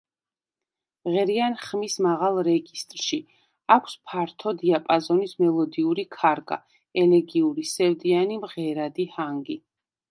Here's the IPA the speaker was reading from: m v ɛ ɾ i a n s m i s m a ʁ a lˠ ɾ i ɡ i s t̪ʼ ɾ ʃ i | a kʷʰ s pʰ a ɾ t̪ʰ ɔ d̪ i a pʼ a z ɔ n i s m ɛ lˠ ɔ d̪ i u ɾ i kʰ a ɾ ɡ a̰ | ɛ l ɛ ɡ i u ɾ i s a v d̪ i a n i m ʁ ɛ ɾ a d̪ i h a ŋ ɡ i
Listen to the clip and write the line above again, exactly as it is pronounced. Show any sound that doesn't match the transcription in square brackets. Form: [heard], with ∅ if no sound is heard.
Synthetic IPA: m [ʁ] ɛ ɾ i a n [χ] m i s m a ʁ a lˠ ɾ [ɛ] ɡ i s t̪ʼ ɾ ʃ i | a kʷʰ s pʰ a ɾ t̪ʰ ɔ d̪ i a pʼ a z ɔ n i s m ɛ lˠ ɔ d̪ i u ɾ i kʰ a ɾ ɡ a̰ | ɛ l ɛ ɡ i u ɾ i s [ɛ] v d̪ i a n i m ʁ ɛ ɾ a d̪ i h a ŋ ɡ i